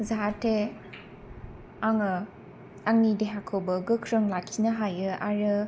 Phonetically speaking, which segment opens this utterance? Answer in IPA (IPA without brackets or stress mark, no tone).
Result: z